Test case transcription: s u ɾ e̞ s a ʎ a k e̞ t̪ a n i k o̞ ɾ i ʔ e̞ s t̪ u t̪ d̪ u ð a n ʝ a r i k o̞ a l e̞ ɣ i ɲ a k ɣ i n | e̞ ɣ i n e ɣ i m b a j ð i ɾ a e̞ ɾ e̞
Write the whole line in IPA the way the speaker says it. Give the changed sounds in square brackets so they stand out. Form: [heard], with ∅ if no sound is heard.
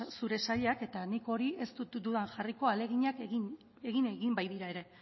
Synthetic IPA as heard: s u ɾ e̞ s a ʎ a k e̞ t̪ a n i k o̞ ɾ i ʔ e̞ s t̪ u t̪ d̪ u ð a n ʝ a r i k o̞ a l e̞ ɣ i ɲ a k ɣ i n | e̞ ɣ i n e ɣ i m b a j ð i ɾ a e̞ ɾ e̞